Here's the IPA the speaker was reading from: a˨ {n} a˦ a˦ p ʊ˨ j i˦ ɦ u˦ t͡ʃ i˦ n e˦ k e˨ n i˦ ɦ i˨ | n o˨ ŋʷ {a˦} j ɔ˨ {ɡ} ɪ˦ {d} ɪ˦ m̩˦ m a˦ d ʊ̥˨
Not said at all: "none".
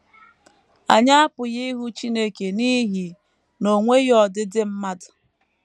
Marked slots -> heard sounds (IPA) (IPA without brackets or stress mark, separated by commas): ɲ, e˦, d, d